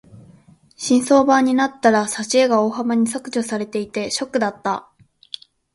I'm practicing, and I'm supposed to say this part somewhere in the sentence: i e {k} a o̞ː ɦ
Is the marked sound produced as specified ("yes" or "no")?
no